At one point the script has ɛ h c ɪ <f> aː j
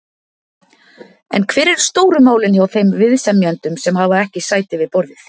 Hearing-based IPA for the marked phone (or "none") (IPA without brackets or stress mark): s